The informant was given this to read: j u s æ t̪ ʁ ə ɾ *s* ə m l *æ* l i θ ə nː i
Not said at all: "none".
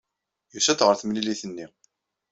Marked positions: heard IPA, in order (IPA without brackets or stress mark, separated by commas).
θ, i